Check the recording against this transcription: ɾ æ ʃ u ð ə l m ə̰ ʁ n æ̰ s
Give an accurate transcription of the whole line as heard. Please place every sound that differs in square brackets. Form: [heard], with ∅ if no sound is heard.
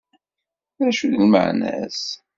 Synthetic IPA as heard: ɾ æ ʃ u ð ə l m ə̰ [ʕ] n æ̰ s

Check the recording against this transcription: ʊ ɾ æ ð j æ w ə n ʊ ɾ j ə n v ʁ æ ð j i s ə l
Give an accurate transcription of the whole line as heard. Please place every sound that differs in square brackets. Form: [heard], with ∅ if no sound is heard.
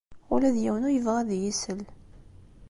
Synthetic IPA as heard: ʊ [l] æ ð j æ w ə n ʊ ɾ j ə [∅] v ʁ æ ð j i s ə l

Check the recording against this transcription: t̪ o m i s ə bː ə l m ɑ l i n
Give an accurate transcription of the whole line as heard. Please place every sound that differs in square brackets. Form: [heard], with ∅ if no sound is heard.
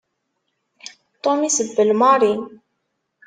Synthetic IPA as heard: t̪ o m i s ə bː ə l m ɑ [ɾ] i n

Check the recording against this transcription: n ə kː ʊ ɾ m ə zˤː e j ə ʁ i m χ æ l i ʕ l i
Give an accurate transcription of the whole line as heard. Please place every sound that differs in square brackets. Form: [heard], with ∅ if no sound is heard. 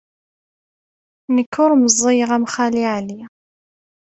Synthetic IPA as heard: n ə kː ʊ ɾ m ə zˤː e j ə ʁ [æ] m χ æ l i ʕ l i

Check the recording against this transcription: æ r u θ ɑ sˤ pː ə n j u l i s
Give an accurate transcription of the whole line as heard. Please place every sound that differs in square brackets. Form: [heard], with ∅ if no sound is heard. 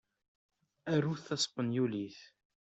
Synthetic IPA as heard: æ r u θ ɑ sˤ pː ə n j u l i [θ]

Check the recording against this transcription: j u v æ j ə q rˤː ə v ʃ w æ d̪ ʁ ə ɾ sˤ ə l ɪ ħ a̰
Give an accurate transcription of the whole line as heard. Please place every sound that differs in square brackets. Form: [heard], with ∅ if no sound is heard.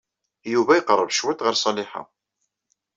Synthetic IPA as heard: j u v æ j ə q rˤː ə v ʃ w æ [t̪] ʁ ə ɾ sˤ [ɑ] l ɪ ħ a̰

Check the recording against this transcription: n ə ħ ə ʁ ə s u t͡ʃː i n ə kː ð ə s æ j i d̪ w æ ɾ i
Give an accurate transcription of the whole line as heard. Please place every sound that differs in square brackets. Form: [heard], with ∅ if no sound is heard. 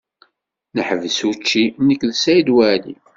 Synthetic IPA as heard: n ə ħ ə [v] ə s u t͡ʃː i n ə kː ð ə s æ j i d̪ w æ [l] i

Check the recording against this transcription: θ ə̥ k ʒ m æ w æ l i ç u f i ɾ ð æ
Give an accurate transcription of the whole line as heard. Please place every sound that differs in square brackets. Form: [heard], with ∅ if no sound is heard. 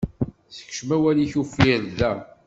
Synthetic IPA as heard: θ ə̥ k [ʃ] m æ w æ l i ç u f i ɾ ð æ

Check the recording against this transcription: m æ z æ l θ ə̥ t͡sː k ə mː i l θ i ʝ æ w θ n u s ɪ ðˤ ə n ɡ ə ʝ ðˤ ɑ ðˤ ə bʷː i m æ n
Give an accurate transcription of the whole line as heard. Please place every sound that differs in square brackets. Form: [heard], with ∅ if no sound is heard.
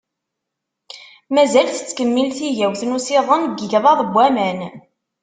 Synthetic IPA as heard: m æ z æ l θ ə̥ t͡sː k ə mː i l θ i ʝ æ w θ n u s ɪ ðˤ ə n ɡ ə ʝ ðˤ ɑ ðˤ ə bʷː [æ] m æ n

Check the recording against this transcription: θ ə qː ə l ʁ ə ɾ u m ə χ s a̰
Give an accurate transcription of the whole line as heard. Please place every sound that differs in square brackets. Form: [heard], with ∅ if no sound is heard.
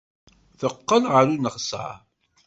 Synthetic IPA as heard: θ ə qː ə l ʁ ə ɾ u [n] ə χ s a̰

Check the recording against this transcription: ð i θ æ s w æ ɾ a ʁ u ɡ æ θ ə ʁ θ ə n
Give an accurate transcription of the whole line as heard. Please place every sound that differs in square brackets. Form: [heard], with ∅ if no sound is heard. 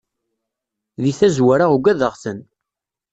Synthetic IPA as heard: ð i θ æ [z] w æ ɾ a ʁ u ɡ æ [ð] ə ʁ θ ə n

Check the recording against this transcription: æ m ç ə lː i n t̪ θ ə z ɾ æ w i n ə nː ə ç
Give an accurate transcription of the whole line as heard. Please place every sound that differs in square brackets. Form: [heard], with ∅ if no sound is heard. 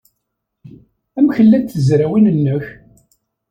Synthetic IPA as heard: æ m ç ə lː [æ] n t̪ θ ə z ɾ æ w i n ə nː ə ç

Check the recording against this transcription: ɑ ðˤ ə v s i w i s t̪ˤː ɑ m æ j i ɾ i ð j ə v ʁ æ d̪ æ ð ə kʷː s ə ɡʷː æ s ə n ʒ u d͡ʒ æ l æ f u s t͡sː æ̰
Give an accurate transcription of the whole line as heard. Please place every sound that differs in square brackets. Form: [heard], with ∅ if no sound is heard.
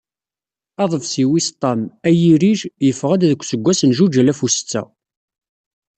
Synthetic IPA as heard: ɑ ðˤ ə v s i w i s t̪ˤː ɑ m æ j i ɾ i [ʒ] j ə [f] ʁ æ d̪ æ ð ə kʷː s ə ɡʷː æ s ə n ʒ u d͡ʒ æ l æ f u s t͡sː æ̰

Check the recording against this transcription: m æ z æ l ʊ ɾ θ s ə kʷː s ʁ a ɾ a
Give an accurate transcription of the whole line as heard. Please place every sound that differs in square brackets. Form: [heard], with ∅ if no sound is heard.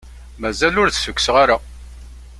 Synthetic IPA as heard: m æ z æ l ʊ ɾ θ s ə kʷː s ʁ a ɾ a

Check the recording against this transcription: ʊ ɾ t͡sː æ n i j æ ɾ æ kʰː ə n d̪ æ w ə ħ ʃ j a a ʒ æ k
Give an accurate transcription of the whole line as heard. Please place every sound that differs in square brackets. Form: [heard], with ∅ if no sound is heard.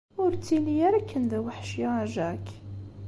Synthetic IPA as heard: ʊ ɾ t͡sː [i] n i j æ ɾ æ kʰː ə n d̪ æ w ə ħ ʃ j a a ʒ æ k

